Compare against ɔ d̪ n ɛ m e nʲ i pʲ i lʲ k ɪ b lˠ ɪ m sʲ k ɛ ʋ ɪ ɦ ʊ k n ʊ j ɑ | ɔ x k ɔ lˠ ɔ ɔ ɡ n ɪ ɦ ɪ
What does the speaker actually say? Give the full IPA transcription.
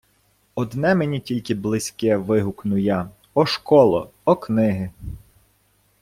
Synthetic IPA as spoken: ɔ d̪ n ɛ m e nʲ i tʲ i lʲ k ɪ b lˠ ɪ sʲ k ɛ ʋ ɪ ɦ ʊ k n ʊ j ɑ | ɔ ʃ k ɔ lˠ ɔ ɔ k n ɪ ɦ ɪ